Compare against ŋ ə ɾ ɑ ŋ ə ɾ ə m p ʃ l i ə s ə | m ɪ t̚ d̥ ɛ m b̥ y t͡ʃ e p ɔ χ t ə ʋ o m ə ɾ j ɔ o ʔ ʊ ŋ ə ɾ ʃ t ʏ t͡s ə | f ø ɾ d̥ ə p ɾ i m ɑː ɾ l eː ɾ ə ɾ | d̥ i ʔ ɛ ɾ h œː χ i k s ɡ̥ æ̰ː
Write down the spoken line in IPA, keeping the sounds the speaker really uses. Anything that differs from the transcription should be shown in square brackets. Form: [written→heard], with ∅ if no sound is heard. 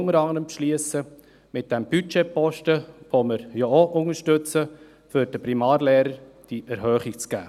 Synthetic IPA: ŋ ə ɾ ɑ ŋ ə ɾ ə m p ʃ l i ə s ə | m ɪ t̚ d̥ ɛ m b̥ y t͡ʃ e p ɔ [χ→ʃ] t ə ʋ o m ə ɾ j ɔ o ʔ ʊ ŋ ə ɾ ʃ t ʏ t͡s ə | f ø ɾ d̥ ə p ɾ i m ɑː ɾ l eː ɾ ə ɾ | d̥ i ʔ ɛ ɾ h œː χ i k [s→t͡s] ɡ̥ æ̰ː